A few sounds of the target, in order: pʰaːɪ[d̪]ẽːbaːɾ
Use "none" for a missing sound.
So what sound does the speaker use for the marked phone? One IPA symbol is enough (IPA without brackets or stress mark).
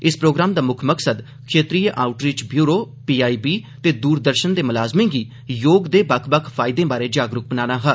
d̪